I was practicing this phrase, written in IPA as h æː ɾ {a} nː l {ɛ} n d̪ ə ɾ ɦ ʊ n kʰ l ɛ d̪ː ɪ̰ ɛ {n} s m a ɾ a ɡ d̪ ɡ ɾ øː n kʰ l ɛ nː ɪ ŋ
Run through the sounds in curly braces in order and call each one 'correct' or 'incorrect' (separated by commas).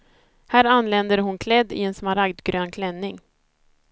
correct, correct, correct